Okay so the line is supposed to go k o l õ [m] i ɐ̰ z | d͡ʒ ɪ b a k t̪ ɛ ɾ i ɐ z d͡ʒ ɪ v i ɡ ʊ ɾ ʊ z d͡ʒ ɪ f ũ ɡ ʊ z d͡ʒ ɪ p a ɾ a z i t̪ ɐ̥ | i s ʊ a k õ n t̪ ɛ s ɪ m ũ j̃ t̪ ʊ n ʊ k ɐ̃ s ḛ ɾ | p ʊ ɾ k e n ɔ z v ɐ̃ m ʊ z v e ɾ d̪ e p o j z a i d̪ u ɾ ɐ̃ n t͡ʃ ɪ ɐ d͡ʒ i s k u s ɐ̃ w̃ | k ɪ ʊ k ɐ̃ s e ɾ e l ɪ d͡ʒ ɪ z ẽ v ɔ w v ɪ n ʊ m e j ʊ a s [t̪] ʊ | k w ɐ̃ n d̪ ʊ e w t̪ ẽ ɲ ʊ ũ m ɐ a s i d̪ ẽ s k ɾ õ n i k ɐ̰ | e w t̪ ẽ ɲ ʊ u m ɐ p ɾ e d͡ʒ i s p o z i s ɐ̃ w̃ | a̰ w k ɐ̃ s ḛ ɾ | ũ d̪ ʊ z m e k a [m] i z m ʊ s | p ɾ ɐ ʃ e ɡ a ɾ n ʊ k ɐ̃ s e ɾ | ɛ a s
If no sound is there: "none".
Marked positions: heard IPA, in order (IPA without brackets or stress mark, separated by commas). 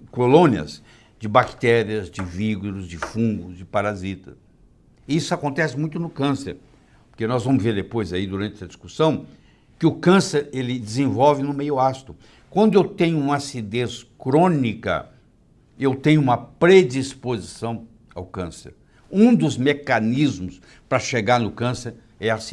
n, t̪, n